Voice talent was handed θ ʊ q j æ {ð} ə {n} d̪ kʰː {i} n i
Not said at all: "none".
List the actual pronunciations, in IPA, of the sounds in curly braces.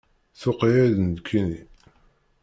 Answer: ð, n, i

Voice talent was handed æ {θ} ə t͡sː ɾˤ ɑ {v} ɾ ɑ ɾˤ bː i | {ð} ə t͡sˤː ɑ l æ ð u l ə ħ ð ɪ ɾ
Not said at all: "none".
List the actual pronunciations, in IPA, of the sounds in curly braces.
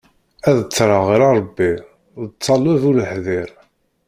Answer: ð, ʁ, ð

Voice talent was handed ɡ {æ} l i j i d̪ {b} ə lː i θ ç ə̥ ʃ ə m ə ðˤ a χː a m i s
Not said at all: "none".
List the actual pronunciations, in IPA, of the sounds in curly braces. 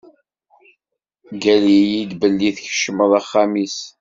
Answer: æ, b

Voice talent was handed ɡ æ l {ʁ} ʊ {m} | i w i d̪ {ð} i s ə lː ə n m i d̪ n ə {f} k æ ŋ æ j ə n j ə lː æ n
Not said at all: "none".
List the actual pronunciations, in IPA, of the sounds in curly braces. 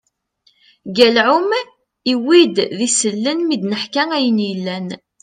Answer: ʕ, m, ð, ħ

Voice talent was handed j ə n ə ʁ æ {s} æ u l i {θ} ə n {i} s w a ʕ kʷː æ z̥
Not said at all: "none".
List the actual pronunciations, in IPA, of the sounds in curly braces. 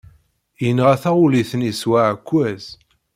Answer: θ, θ, i

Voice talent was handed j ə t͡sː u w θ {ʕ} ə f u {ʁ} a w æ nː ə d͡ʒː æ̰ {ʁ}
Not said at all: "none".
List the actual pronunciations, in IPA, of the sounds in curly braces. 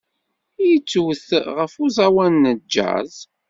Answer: ʁ, z, z

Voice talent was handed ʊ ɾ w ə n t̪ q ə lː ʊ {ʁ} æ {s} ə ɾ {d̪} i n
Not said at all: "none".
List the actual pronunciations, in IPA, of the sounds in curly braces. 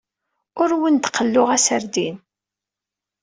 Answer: ʁ, s, d̪

